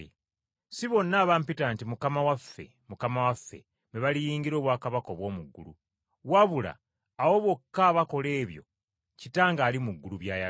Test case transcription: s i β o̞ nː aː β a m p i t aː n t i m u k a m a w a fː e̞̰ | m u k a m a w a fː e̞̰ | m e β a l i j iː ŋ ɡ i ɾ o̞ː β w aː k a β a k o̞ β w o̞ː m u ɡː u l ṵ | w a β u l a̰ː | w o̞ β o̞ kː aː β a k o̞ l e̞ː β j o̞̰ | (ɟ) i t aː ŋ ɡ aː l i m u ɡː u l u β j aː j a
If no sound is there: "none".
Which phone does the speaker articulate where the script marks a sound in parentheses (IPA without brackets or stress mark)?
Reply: c